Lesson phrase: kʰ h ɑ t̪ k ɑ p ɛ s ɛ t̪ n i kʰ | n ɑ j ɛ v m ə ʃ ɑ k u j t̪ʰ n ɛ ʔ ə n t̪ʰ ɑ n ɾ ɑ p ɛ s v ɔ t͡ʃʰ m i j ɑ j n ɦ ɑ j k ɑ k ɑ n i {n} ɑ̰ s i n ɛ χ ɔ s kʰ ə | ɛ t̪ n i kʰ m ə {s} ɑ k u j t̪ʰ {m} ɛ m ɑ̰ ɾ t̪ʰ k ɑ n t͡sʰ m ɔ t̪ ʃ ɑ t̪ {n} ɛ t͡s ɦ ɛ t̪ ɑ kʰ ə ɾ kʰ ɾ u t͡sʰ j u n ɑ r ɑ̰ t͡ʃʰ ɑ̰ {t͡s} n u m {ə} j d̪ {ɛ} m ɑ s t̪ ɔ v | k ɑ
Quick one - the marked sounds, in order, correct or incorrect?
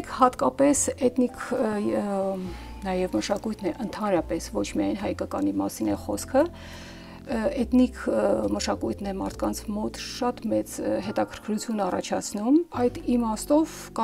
incorrect: m, incorrect: ʃ, incorrect: n, incorrect: m, incorrect: t͡sʰ, incorrect: ɑ, incorrect: i

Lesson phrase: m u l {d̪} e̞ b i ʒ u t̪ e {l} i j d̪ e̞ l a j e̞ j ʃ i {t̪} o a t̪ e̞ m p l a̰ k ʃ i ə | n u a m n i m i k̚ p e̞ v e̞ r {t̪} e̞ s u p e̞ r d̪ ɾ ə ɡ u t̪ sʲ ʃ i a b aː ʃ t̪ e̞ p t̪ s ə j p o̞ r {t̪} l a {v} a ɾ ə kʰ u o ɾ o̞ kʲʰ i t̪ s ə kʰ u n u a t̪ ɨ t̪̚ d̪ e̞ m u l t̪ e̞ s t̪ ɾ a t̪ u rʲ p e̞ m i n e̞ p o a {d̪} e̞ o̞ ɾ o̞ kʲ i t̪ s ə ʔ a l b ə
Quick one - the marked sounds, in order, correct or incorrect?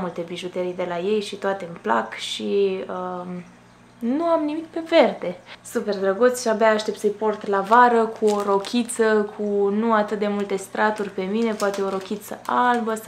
incorrect: t̪, incorrect: ɾ, correct, incorrect: d̪, correct, correct, incorrect: t̪

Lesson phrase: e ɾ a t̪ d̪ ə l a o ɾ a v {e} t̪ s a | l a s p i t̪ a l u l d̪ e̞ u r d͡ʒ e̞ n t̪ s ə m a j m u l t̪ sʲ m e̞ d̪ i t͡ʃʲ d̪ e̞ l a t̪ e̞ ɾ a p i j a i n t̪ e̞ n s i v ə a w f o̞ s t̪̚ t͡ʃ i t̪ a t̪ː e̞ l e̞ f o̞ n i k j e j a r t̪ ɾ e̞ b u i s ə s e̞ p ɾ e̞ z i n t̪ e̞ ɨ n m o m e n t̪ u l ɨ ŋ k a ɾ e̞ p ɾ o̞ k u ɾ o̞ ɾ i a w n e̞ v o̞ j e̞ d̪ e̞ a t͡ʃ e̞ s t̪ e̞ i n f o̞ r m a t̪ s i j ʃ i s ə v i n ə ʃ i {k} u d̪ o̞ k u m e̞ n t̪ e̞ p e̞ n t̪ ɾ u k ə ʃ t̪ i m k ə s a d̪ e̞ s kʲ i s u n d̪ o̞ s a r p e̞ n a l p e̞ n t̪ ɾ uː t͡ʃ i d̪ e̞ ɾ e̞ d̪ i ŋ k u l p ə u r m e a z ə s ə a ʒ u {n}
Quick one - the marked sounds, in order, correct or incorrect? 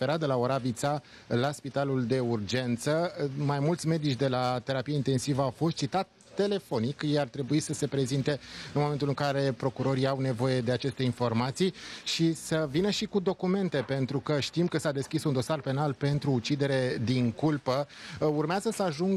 incorrect: i, correct, incorrect: ŋ

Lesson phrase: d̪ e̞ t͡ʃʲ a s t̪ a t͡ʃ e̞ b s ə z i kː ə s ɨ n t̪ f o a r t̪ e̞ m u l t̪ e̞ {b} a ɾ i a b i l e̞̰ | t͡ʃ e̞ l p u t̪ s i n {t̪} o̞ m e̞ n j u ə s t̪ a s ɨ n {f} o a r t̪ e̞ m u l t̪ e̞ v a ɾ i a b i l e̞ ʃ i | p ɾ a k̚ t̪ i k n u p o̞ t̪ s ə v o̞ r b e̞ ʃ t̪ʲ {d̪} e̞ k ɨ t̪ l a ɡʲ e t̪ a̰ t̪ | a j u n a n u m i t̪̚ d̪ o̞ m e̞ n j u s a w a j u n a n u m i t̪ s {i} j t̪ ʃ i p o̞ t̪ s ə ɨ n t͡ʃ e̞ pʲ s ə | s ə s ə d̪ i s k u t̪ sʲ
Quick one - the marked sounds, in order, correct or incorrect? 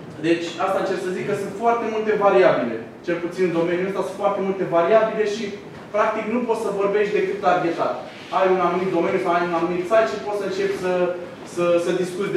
incorrect: v, incorrect: d̪, correct, correct, incorrect: a

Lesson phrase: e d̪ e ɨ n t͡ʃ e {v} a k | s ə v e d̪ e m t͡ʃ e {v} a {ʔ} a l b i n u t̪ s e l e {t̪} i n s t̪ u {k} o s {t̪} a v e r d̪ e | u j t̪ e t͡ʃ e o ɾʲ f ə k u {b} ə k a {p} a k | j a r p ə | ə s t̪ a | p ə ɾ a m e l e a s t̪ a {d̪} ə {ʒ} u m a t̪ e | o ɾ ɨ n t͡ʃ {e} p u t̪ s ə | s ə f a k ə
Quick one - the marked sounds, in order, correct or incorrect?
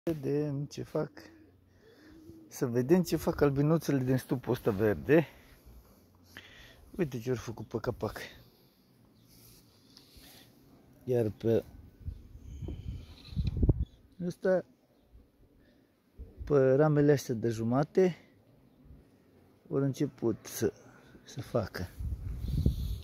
incorrect: f, incorrect: f, incorrect: k, incorrect: d̪, incorrect: p, correct, incorrect: p, correct, correct, correct, correct

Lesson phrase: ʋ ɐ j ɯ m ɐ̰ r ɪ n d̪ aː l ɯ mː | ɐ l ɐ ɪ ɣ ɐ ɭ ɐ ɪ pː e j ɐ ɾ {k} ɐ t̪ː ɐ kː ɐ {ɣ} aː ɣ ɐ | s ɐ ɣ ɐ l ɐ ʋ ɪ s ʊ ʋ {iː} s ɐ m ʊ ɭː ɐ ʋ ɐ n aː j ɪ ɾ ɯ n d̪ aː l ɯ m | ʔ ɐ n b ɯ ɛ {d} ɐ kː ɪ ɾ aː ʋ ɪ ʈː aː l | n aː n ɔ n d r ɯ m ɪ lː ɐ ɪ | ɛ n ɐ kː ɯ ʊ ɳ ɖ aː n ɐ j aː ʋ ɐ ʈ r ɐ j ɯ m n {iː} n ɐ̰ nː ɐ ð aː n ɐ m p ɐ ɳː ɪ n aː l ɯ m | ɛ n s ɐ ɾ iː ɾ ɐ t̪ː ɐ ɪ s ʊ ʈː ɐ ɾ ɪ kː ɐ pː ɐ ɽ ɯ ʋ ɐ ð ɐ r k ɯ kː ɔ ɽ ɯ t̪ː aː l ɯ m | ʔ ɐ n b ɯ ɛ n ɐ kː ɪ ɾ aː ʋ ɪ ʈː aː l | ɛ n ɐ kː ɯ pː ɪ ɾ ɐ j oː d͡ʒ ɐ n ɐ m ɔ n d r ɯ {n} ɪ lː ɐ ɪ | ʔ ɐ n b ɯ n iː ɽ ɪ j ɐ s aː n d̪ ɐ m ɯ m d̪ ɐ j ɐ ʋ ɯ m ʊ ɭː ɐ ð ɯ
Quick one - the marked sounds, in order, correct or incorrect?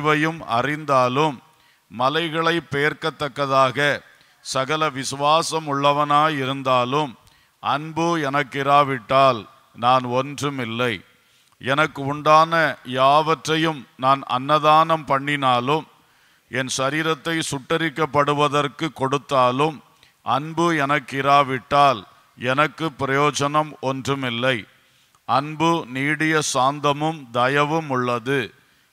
correct, incorrect: ð, incorrect: aː, incorrect: n, incorrect: aː, incorrect: m

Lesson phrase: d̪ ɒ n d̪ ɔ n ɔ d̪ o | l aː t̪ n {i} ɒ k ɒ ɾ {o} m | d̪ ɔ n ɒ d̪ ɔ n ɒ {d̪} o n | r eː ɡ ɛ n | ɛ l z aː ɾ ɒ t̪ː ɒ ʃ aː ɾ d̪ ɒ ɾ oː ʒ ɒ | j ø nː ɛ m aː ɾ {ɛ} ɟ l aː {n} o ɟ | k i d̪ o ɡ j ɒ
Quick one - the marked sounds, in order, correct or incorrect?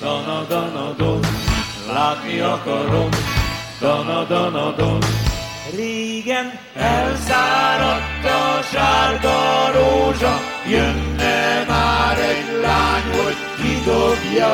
correct, correct, correct, correct, incorrect: ɲ

